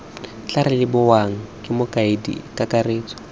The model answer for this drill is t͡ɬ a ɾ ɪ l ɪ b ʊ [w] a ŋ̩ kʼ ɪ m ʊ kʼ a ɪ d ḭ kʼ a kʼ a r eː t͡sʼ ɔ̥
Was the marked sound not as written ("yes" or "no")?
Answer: no